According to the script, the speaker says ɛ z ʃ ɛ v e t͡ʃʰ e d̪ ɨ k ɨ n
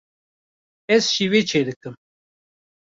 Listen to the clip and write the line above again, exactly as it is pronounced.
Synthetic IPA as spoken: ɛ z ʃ i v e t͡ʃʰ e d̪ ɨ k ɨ m